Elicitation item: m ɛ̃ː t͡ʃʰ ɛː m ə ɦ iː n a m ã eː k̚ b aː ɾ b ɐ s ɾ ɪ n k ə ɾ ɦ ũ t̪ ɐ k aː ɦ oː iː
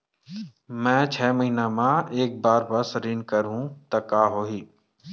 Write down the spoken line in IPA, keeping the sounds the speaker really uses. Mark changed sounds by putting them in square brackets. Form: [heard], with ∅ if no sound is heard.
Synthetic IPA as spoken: m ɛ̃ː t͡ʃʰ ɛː m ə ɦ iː n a m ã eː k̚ b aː ɾ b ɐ s ɾ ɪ n k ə ɾ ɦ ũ t̪ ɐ k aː ɦ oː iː